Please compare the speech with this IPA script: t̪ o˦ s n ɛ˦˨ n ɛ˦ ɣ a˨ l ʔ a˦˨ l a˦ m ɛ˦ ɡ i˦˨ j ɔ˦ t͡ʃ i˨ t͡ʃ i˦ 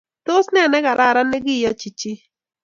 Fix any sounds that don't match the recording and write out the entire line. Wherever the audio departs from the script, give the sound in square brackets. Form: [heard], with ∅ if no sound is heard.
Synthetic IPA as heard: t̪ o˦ s n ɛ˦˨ n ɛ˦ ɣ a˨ [ɾ] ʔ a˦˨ [ɾ] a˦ [n] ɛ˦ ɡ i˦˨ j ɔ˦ t͡ʃ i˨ t͡ʃ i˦